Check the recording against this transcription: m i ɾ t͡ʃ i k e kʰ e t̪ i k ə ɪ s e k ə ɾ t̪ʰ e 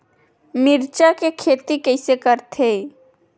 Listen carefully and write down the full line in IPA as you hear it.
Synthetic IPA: m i ɾ t͡ʃ a k e kʰ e t̪ i k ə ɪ s e k ə ɾ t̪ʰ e